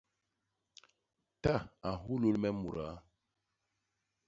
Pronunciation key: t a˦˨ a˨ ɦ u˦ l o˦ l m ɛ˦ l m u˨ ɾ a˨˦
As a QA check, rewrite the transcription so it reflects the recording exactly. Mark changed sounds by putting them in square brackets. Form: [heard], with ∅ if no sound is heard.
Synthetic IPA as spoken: t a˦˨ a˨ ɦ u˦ l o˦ l m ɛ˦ [∅] m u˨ ɾ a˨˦